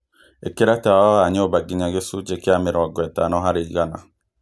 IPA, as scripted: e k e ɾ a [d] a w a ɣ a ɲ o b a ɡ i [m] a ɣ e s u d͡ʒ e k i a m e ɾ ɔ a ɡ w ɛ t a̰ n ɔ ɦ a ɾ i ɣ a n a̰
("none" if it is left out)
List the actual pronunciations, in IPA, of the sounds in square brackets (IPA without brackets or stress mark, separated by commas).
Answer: t, ɲ